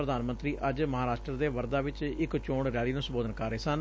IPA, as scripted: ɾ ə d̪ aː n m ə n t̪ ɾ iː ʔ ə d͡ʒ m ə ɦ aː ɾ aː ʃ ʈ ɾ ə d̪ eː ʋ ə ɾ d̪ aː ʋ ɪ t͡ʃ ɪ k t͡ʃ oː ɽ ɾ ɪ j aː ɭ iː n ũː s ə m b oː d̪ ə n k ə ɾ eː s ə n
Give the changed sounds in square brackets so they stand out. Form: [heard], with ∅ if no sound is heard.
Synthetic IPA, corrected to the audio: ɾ ə d̪ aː n m ə n t̪ ɾ iː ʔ ə d͡ʒ m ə ɦ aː ɾ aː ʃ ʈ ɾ ə d̪ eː ʋ ə ɾ d̪ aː ʋ ɪ t͡ʃ ɪ k t͡ʃ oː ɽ ɾ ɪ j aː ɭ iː n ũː s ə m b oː d̪ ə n k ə ɾ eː s ə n